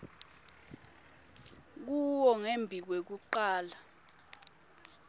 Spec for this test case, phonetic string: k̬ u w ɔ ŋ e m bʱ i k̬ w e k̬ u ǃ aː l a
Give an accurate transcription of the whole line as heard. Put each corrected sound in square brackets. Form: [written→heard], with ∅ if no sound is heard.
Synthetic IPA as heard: k̬ u w ɔ ŋ e m bʱ i k̬ w e k̬ u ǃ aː l a